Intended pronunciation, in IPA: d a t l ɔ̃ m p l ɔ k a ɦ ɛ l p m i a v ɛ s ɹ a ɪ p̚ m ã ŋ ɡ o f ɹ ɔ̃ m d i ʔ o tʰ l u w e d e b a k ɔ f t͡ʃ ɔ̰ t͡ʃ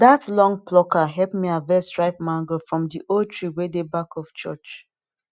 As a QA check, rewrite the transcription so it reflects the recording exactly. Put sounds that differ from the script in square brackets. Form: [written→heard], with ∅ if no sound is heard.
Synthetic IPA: d a t l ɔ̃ [m→ŋ] p l ɔ k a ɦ ɛ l p m i a v ɛ s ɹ a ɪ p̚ m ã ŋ ɡ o f ɹ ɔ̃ m d i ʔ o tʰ [l→ɹ] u w e d e b a k ɔ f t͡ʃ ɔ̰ t͡ʃ